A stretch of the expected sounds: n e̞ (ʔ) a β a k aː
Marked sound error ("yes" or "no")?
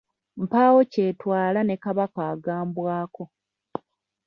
yes